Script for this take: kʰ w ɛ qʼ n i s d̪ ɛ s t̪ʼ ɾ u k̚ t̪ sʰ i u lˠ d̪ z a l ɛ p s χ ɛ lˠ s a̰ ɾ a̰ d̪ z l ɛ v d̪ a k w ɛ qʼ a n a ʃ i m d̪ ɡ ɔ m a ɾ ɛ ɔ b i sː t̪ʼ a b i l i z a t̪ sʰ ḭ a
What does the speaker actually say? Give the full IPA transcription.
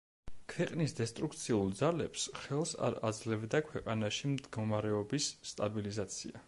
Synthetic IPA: kʰ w ɛ qʼ n i s d̪ ɛ s t̪ʼ ɾ u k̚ t̪ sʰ i u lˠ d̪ z a l ɛ p s χ ɛ lˠ s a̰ ɾ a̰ d̪ z l ɛ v d̪ a kʰ w ɛ qʼ a n a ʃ i m d̪ ɡ ɔ m a ɾ ɛ ɔ b i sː t̪ʼ a b i l i z a t̪ sʰ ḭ a